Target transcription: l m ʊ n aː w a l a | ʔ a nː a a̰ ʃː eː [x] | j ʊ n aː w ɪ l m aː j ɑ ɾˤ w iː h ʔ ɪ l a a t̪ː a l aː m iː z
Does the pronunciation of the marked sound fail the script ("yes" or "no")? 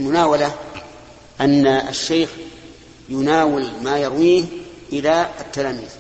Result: no